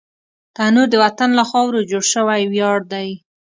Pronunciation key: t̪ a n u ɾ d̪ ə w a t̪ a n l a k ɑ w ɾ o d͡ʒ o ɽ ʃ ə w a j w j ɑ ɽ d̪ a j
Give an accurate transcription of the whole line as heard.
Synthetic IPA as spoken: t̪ a n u ɾ d̪ ə w a t̪ a n l a x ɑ w ɾ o d͡ʒ o ɽ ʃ ə w a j w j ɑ ɽ d̪ a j